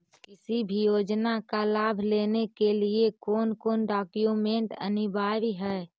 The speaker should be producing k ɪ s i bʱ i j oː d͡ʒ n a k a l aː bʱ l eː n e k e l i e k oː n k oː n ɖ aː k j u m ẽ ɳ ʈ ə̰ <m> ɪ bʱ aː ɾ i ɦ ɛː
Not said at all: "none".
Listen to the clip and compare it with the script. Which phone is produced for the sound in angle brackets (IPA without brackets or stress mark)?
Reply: n